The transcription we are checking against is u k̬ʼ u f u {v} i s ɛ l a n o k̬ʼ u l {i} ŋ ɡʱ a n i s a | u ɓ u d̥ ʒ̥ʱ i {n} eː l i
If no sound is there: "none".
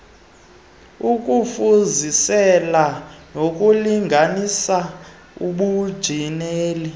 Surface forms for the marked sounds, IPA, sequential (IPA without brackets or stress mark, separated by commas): z, i, n